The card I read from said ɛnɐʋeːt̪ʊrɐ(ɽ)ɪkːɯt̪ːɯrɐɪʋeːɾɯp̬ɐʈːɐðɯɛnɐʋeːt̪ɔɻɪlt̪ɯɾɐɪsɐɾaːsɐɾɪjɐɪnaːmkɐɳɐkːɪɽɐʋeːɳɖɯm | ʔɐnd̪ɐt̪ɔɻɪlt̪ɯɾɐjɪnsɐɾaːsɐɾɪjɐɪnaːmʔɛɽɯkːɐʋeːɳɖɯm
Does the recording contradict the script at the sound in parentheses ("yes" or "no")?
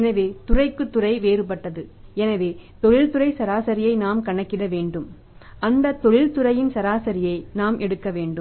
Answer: yes